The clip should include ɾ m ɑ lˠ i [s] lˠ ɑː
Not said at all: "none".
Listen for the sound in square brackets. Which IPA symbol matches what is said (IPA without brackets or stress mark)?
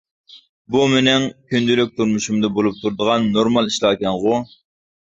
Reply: ʃ